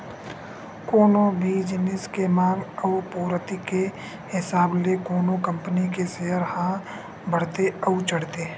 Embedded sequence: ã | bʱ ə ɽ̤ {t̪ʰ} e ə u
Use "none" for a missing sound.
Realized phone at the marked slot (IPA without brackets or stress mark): t̪